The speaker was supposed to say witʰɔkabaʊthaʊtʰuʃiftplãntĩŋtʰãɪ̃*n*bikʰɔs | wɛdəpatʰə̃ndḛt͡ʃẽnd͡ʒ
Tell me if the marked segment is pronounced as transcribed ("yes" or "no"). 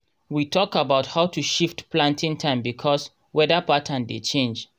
no